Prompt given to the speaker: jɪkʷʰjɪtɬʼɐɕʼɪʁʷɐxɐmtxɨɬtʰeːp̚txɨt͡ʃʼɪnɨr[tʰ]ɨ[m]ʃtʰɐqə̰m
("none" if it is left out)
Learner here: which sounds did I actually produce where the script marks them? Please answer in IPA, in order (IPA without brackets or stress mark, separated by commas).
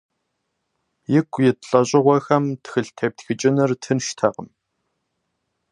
tʰ, n